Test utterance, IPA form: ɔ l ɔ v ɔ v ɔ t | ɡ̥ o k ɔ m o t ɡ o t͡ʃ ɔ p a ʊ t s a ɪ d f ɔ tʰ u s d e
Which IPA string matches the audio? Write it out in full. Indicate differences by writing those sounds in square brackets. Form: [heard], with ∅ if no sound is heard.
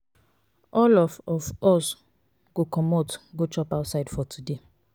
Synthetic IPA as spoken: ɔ l ɔ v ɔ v ɔ [s] | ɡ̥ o k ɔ m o t ɡ o t͡ʃ ɔ p a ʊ t s a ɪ d f ɔ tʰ u [∅] d e